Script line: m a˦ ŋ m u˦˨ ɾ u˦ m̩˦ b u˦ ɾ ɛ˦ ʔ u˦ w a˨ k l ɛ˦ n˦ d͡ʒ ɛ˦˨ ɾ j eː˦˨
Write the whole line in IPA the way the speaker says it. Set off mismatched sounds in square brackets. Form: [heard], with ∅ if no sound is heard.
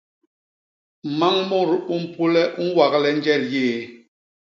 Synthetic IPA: m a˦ ŋ m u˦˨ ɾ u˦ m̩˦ [p] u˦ [l] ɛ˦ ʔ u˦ w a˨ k l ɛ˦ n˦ d͡ʒ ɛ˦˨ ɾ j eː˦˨